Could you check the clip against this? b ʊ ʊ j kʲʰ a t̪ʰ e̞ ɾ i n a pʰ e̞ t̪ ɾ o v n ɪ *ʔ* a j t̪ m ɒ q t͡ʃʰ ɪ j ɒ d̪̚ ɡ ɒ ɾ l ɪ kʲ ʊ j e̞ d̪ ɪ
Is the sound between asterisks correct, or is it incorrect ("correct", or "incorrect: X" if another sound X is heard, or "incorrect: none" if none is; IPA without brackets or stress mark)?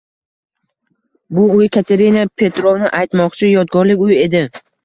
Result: correct